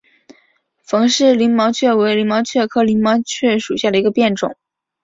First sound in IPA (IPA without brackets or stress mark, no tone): f